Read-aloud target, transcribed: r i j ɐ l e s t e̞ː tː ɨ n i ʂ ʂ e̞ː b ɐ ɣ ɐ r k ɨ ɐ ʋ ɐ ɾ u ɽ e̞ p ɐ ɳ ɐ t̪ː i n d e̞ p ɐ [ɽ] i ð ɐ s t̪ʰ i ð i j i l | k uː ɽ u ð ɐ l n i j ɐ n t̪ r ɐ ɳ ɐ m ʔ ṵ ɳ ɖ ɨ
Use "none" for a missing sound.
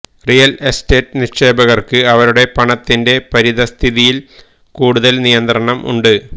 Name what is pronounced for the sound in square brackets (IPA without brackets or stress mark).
ɾ